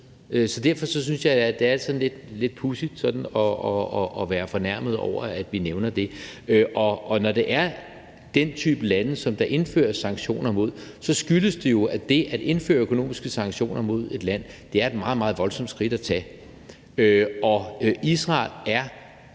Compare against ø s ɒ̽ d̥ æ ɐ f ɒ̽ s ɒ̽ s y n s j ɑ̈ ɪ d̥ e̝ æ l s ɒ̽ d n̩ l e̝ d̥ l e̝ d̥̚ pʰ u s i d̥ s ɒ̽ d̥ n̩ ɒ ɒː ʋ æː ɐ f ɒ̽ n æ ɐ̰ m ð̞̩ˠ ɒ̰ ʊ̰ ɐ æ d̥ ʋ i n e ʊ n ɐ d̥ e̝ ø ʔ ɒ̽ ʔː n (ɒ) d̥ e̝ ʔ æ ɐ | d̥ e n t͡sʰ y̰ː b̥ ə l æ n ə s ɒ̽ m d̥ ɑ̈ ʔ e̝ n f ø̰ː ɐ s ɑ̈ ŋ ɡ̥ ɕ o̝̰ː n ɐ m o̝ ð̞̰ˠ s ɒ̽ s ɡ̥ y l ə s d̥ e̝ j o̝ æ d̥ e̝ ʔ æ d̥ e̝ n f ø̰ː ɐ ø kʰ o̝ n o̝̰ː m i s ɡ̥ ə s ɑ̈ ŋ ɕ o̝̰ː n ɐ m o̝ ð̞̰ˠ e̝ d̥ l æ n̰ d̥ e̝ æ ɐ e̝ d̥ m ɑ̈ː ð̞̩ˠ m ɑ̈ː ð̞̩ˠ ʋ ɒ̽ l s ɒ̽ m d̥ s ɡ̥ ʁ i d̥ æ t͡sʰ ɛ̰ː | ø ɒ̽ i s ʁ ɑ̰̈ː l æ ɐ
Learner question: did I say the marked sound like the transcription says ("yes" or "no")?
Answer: yes